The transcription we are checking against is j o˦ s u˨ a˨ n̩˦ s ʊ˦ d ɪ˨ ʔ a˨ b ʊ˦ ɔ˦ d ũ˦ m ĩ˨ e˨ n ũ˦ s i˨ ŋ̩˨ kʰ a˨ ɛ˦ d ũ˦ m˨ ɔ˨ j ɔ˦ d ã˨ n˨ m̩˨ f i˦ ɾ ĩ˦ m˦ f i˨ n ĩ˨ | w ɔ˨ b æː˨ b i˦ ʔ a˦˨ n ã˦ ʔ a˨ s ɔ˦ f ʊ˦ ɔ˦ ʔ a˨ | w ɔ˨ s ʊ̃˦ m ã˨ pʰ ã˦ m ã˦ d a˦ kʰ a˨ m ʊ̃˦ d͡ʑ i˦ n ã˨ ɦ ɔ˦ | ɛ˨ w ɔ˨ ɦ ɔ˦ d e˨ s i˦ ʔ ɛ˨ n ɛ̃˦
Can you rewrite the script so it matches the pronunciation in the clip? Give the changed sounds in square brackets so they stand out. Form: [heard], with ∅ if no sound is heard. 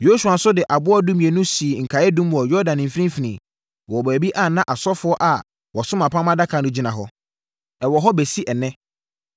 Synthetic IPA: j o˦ s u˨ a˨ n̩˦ s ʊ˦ d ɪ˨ ʔ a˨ b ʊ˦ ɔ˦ d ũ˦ m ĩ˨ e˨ n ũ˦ s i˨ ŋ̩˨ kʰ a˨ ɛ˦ d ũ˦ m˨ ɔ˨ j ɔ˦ d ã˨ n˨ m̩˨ f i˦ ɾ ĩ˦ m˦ f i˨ n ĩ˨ | w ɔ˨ b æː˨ b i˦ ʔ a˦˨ n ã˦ ʔ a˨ s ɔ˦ f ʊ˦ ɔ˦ ʔ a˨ | w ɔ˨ s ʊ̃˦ m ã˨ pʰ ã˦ m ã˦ d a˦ kʰ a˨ [n] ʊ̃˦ d͡ʑ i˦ n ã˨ ɦ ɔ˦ | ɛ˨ w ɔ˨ ɦ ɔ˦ [b] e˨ s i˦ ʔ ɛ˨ n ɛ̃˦